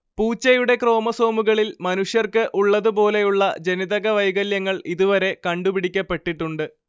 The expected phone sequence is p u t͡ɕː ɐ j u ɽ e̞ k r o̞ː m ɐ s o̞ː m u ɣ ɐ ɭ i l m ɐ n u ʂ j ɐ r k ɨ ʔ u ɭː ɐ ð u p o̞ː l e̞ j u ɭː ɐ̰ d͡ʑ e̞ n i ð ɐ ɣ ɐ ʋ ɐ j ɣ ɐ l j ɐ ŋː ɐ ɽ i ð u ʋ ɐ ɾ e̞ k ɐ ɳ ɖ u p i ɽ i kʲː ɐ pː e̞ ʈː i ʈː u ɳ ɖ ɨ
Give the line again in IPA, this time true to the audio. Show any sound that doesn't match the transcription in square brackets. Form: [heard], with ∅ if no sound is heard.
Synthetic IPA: p [uː] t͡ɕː ɐ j u ɽ e̞ k r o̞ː m ɐ s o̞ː m u ɣ ɐ ɭ i l m ɐ n u ʂ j ɐ r k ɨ ʔ u ɭː ɐ ð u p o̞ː l e̞ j u ɭː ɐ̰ d͡ʑ e̞ n i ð ɐ ɣ ɐ ʋ ɐ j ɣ ɐ l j ɐ ŋː ɐ [ɭ] i ð u ʋ ɐ ɾ e̞ k ɐ ɳ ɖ u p i ɽ i kʲː ɐ pː e̞ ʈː i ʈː u ɳ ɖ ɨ

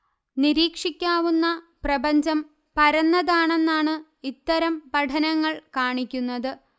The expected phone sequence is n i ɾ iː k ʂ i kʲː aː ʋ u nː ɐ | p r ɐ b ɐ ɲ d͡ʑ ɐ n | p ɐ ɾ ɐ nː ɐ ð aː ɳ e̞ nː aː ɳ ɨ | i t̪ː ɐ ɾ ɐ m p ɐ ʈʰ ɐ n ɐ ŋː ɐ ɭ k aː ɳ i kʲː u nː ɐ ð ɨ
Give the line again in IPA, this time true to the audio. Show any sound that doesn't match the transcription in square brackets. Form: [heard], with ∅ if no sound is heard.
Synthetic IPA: n i ɾ iː k ʂ i kʲː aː ʋ u nː ɐ | p r ɐ b ɐ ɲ d͡ʑ ɐ [m] | p ɐ ɾ ɐ nː ɐ ð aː ɳ e̞ nː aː ɳ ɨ | i t̪ː ɐ ɾ ɐ m p ɐ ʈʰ ɐ n ɐ ŋː ɐ ɭ k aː ɳ i kʲː u nː ɐ ð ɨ

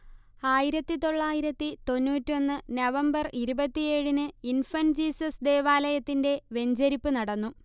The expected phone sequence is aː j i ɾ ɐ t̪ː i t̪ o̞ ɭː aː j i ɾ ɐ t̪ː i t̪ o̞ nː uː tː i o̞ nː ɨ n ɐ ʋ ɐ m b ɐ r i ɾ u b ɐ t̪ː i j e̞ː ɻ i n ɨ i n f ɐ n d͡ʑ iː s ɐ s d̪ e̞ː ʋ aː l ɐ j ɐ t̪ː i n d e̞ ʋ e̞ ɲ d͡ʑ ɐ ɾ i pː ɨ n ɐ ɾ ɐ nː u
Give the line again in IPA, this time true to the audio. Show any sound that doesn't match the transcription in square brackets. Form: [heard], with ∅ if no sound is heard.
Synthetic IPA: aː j i ɾ ɐ t̪ː i t̪ o̞ ɭː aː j i ɾ ɐ t̪ː i t̪ o̞ nː uː tː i o̞ nː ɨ n ɐ ʋ ɐ m b ɐ r i ɾ u b ɐ t̪ː i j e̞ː ɻ i n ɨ i n f ɐ n d͡ʑ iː s ɐ s d̪ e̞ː ʋ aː l ɐ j ɐ t̪ː i n d e̞ ʋ e̞ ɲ d͡ʑ ɐ ɾ i pː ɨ n ɐ [ɽ] ɐ nː u

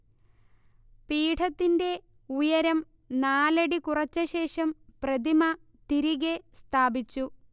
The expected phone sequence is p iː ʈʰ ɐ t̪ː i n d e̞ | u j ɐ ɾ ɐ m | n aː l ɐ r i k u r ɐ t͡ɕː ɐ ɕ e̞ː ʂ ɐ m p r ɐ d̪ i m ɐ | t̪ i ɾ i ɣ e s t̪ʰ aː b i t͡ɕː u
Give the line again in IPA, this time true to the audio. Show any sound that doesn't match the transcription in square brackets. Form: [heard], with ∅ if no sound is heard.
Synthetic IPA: p iː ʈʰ ɐ t̪ː i n d e̞ | u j ɐ ɾ ɐ m | n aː l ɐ [ɽ] i k u r ɐ t͡ɕː ɐ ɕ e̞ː ʂ ɐ m p r ɐ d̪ i m ɐ | t̪ i ɾ i ɣ e s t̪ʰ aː b i t͡ɕː u

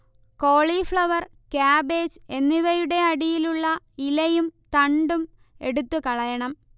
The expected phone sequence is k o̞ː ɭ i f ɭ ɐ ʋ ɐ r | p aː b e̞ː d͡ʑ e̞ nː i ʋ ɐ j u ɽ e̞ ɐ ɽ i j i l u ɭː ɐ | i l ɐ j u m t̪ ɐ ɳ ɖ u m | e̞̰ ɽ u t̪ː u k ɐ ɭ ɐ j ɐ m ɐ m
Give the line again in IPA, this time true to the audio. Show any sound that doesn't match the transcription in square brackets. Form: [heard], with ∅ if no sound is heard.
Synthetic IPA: k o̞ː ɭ i f ɭ ɐ ʋ ɐ r | [k] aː b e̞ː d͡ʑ e̞ nː i ʋ ɐ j u ɽ e̞ ɐ ɽ i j i l u ɭː ɐ | i l ɐ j u m t̪ ɐ ɳ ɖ u m | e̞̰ ɽ u t̪ː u k ɐ ɭ ɐ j ɐ [ɳ] ɐ m

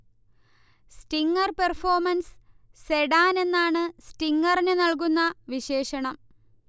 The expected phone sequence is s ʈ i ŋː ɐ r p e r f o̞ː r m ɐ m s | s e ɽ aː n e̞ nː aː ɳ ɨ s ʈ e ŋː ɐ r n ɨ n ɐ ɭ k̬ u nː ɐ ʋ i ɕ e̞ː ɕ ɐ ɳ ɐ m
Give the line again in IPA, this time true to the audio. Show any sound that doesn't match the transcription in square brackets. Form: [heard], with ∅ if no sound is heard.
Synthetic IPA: s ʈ i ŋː ɐ r p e r f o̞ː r m ɐ [n] s | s e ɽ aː n e̞ nː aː ɳ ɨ s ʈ [i] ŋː ɐ r n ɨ n ɐ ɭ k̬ u nː ɐ ʋ i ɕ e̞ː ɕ ɐ ɳ ɐ m

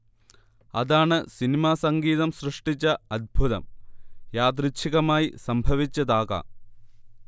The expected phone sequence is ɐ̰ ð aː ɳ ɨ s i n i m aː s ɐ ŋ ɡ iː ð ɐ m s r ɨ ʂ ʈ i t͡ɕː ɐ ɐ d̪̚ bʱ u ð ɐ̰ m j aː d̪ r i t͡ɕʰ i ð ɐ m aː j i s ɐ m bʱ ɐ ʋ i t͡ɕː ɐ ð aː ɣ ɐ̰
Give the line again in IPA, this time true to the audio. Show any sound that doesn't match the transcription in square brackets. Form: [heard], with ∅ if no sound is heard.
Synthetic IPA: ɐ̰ ð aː ɳ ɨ s i n i m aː s ɐ ŋ ɡ iː ð ɐ m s r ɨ ʂ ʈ i t͡ɕː ɐ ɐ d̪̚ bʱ u ð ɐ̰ m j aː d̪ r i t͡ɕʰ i [ɣ] ɐ m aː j i s ɐ m bʱ ɐ ʋ i t͡ɕː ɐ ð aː ɣ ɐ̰

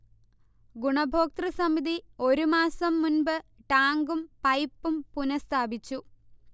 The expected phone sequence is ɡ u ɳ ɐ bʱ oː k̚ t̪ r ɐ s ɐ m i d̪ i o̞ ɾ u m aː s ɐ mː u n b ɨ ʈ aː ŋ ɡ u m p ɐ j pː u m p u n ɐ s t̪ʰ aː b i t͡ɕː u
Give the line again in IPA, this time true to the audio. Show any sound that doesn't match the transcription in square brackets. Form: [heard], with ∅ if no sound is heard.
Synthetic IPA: ɡ u ɳ ɐ bʱ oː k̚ t̪ r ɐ s ɐ m i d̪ i o̞ ɾ u m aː s ɐ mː u n b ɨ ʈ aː ŋ ɡ u m p ɐ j pː u m p u n ɐ s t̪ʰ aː b i t͡ɕː u

